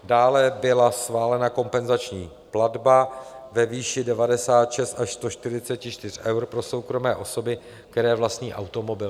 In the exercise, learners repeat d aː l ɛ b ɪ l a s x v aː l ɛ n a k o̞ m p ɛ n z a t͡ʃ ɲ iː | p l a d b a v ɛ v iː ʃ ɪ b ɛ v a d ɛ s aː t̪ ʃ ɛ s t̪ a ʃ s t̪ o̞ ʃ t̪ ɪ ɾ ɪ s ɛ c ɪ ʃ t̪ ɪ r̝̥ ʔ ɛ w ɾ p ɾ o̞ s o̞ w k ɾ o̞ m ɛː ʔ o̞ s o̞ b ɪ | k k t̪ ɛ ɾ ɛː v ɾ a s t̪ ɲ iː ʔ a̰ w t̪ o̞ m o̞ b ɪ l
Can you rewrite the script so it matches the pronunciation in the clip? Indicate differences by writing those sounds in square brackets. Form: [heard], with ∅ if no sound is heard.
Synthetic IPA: d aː l ɛ b ɪ l a s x v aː l ɛ n a k o̞ m p ɛ n z a t͡ʃ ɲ iː | p l a d b a v ɛ v iː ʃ ɪ [d] ɛ v a d ɛ s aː t̪ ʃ ɛ s t̪ a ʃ s t̪ o̞ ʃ t̪ ɪ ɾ ɪ [t͡s] ɛ c ɪ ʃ t̪ ɪ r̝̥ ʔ ɛ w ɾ p ɾ o̞ s o̞ w k ɾ o̞ m ɛː ʔ o̞ s o̞ b ɪ | k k t̪ ɛ ɾ ɛː v [l] a s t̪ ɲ iː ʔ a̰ w t̪ o̞ m o̞ b ɪ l